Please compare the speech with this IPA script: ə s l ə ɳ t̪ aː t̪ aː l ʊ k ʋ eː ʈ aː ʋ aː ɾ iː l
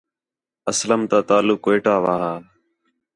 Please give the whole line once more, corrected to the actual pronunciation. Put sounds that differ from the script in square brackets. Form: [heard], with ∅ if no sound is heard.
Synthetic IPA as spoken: ə s l ə [m] t̪ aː t̪ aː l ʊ k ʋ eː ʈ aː ʋ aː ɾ [aː] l